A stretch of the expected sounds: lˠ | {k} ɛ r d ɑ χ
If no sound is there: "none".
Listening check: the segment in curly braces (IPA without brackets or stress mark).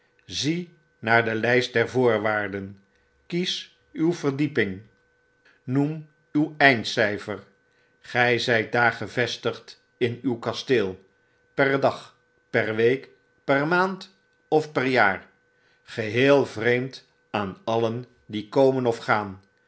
p